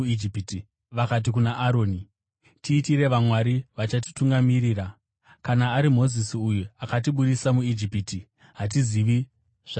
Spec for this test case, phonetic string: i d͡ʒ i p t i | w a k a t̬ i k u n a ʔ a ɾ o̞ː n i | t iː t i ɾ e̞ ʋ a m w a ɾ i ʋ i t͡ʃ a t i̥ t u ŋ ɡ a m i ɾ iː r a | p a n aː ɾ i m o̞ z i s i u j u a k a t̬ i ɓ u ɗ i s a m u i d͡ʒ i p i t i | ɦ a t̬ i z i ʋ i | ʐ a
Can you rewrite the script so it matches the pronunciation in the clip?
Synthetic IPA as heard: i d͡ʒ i p t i | ʋ a k a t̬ i k u n a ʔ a ɾ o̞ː n i | t iː t i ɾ e̞ ʋ a m w a ɾ i ʋ a t͡ʃ a t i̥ t u ŋ ɡ a m i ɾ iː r a | k a n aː ɾ i m o̞ z i s i u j u a k a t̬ i ɓ u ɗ i s a m u i d͡ʒ i p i t i | ɦ a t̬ i z i ʋ i | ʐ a